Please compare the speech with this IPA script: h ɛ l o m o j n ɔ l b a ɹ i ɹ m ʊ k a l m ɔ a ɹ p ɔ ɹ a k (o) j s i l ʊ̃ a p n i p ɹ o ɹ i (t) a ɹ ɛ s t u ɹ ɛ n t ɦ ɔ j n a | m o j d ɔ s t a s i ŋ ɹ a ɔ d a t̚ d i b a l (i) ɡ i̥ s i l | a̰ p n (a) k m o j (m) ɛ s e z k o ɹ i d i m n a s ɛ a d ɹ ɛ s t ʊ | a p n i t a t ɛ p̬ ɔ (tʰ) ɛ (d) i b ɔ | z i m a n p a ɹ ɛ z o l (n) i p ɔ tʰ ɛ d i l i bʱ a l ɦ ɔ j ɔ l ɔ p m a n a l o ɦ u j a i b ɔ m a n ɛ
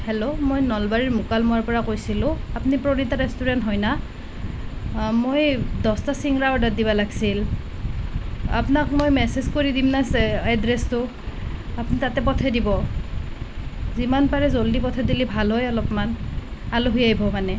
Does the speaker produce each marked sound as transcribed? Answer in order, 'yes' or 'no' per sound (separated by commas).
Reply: yes, yes, no, yes, yes, yes, yes, no